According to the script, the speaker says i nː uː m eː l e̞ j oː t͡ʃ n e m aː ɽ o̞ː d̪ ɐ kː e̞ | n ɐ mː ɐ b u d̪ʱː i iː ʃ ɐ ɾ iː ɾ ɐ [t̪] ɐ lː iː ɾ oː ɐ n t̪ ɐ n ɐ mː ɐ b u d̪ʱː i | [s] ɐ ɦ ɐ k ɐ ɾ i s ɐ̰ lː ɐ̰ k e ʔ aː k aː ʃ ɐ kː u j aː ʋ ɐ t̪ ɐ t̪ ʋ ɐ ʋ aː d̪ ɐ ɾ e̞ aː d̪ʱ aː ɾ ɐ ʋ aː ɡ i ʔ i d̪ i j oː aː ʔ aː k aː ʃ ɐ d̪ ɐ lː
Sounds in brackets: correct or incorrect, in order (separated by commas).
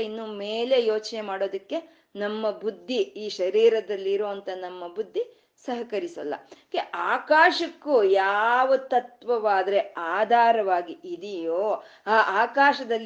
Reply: incorrect, correct